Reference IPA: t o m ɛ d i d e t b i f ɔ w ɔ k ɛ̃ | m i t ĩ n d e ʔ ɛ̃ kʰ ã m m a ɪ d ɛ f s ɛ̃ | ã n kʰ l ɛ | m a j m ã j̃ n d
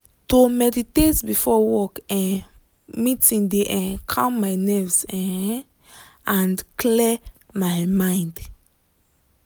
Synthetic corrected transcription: t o m ɛ d i t e t b i f ɔ w ɔ k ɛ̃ | m i t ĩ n d e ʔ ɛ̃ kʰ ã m m a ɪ n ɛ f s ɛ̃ | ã n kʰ l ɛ | m a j m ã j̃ n d